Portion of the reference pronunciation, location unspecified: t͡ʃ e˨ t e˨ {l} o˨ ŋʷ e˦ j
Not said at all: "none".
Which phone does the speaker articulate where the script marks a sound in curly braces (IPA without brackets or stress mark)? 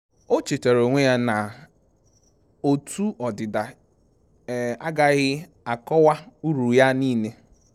ɾ